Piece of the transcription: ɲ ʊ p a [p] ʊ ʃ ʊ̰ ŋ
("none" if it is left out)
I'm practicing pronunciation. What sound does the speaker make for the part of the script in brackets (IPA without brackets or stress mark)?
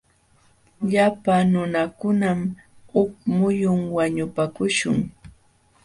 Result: k